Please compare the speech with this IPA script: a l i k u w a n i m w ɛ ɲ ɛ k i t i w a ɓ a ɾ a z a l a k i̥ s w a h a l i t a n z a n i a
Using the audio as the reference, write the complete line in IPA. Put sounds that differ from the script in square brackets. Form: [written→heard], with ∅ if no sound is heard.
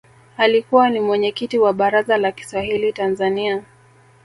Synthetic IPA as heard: a l i k u w a n i m w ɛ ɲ ɛ k i t i w a ɓ a ɾ a z a l a k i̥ s w a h [a→i] l i t a n z a n i a